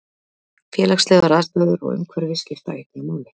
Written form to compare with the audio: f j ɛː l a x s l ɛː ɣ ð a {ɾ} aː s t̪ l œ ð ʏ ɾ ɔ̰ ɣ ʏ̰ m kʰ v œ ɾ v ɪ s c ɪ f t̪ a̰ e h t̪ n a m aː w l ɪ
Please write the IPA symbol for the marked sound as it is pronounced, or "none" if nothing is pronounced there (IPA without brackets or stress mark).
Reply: ɾ